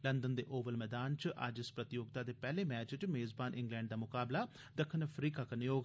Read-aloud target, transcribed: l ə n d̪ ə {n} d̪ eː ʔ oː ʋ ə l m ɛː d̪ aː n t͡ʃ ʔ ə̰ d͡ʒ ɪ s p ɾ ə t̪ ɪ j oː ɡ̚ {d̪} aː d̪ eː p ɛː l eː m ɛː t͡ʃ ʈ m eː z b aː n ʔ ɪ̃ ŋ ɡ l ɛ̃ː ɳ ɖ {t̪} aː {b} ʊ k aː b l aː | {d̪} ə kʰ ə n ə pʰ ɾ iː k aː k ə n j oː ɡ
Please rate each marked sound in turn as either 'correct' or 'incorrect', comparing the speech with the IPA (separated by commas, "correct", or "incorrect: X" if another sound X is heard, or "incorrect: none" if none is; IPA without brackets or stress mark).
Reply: correct, incorrect: t̪, incorrect: d̪, incorrect: m, correct